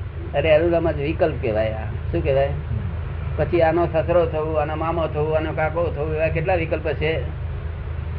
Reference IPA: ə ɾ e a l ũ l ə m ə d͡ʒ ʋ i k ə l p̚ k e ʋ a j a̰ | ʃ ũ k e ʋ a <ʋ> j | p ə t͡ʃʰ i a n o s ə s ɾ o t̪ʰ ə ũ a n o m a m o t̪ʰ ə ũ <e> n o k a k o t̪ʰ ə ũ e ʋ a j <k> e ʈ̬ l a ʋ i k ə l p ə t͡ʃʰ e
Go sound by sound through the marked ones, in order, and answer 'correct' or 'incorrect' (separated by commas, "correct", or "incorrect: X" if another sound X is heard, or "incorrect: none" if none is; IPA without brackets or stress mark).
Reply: incorrect: none, incorrect: a, correct